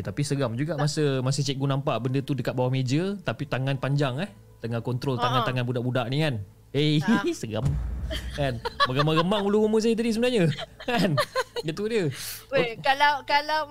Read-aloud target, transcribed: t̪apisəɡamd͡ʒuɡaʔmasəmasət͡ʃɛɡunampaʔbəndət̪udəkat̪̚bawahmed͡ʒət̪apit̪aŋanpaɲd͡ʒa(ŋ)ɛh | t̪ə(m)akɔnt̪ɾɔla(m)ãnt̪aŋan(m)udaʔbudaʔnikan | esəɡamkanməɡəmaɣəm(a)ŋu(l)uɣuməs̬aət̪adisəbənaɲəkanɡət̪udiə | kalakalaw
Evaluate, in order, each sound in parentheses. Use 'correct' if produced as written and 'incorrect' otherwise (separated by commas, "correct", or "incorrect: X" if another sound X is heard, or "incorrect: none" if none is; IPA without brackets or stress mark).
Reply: correct, incorrect: ŋ, incorrect: ŋ, incorrect: b, correct, correct